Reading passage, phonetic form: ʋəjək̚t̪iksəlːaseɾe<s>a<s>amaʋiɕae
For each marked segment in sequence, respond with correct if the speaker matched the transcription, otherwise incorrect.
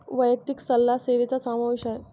incorrect: t͡s, correct

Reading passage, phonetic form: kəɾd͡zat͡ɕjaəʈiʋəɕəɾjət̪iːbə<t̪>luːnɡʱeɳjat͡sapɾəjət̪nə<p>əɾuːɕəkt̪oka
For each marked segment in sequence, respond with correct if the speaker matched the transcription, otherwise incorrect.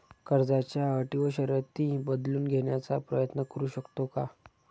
incorrect: d̪, incorrect: k

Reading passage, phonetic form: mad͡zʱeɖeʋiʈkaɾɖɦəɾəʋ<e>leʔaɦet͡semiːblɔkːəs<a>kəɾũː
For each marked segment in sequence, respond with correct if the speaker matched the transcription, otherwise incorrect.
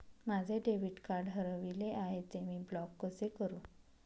incorrect: i, incorrect: e

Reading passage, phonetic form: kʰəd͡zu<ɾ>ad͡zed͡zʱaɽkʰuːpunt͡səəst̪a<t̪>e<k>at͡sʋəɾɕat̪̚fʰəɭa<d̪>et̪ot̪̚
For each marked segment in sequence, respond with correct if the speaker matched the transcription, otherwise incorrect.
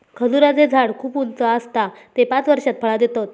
correct, correct, incorrect: p, correct

